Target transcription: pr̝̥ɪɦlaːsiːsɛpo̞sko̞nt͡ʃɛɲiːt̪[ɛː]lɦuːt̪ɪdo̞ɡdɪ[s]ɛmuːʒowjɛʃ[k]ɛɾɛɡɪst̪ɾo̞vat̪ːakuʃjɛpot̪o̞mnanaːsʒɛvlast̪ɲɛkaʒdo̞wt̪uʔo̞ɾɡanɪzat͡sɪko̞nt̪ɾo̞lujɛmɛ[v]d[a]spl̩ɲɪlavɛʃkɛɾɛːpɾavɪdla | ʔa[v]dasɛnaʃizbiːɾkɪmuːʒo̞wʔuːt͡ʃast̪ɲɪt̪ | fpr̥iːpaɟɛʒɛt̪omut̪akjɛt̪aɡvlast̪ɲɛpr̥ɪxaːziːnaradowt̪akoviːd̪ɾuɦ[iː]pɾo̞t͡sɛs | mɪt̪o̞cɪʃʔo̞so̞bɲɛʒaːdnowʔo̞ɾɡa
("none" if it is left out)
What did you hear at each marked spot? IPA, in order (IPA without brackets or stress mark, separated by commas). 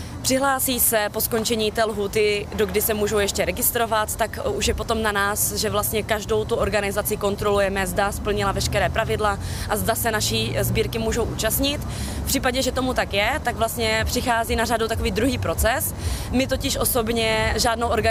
ɛː, s, c, z, a, z, iː